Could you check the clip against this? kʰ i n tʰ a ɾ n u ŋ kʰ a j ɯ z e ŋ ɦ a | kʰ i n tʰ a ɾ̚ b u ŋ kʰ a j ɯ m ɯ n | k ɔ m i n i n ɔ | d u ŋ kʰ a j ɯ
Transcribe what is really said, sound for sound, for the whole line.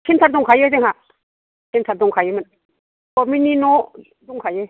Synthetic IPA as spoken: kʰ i n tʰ a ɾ d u ŋ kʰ a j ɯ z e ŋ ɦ a | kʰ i n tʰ a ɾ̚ d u ŋ kʰ a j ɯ m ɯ n | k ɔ m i n i n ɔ | d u ŋ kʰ a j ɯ